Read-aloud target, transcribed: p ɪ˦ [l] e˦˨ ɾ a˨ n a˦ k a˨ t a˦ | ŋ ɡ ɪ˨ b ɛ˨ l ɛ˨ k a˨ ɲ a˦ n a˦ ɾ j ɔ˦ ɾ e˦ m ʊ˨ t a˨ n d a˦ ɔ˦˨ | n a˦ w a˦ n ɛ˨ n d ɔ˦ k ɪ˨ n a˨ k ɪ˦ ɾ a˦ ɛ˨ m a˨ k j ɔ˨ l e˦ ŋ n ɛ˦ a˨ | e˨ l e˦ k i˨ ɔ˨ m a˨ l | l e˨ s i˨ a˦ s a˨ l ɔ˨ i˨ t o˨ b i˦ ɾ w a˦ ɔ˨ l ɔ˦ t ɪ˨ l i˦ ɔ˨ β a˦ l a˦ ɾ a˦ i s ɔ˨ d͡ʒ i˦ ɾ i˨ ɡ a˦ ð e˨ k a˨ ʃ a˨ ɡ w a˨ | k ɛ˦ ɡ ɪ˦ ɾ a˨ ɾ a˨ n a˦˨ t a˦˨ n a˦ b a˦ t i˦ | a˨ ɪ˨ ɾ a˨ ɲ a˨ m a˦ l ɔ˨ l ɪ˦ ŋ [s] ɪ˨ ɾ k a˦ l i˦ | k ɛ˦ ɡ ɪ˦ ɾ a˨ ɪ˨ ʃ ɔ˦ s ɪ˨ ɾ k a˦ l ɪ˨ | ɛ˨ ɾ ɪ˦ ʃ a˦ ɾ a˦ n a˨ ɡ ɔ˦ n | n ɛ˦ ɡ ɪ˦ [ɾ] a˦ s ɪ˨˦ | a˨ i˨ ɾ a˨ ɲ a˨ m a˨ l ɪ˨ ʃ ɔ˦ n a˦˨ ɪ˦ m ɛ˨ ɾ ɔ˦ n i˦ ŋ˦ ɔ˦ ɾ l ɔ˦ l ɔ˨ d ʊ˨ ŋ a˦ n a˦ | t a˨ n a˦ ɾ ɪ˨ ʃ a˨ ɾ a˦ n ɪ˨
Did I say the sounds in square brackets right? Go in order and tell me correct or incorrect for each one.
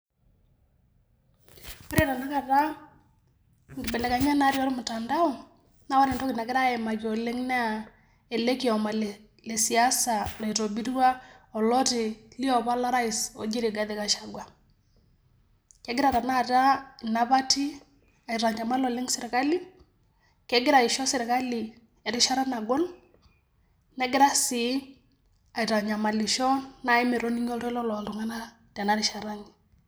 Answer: incorrect: ɾ, correct, correct

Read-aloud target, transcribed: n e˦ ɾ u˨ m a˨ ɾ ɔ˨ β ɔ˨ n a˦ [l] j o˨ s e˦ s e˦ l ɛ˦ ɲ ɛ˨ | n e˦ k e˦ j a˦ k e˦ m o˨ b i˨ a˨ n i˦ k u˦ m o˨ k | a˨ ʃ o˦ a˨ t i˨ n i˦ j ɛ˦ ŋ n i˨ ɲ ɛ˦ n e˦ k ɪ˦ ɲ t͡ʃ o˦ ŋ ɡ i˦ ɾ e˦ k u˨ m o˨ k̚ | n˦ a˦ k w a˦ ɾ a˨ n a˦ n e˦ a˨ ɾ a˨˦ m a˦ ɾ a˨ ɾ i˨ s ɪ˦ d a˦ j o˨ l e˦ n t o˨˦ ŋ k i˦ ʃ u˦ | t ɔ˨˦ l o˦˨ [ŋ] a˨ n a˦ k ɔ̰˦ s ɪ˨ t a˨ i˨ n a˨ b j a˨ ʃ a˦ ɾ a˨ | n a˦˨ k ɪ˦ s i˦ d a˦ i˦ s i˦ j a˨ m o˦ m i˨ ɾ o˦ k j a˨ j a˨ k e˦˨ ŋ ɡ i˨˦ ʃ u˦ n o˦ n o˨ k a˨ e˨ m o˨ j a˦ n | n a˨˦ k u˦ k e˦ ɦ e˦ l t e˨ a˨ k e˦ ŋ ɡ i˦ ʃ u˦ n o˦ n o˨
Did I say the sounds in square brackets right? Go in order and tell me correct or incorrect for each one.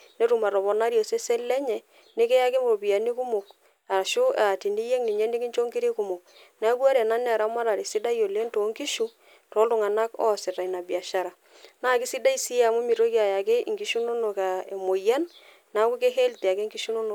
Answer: incorrect: ɾ, correct

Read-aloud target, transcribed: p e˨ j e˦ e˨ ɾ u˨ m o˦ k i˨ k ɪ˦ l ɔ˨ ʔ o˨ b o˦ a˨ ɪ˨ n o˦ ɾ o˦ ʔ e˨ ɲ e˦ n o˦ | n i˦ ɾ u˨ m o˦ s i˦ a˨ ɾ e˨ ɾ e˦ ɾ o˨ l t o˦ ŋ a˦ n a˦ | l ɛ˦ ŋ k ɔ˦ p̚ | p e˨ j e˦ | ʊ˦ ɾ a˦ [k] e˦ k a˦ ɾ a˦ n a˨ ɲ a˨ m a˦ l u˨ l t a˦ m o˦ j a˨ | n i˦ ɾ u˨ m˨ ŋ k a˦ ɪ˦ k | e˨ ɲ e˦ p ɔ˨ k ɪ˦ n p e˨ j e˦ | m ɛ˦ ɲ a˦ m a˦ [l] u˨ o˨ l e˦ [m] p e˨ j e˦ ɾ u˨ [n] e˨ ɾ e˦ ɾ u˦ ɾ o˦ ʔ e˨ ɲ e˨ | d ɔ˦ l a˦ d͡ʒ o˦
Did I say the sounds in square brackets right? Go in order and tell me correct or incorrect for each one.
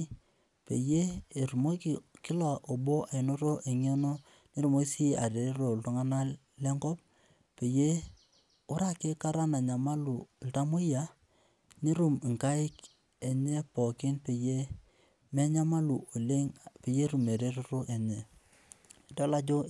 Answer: correct, correct, incorrect: ŋ, incorrect: m

